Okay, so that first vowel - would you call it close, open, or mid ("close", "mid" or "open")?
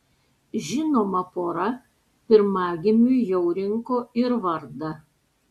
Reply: close